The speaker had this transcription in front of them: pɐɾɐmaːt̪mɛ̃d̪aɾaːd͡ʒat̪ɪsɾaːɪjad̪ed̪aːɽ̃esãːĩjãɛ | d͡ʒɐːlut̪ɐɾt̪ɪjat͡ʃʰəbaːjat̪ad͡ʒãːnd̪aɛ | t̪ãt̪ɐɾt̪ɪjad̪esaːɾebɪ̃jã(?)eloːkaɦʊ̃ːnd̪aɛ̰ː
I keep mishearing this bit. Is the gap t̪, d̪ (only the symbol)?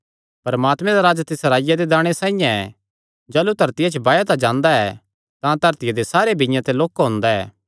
t̪